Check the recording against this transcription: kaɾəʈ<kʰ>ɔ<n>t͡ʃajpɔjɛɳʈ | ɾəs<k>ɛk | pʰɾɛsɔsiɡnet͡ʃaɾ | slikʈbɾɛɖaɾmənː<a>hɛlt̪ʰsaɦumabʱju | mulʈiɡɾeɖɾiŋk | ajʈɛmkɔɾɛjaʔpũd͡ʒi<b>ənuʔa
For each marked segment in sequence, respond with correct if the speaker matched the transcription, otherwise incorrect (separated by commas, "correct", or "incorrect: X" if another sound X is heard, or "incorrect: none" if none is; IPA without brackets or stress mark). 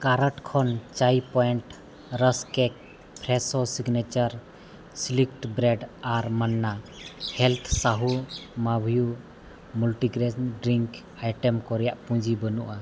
correct, correct, correct, correct, correct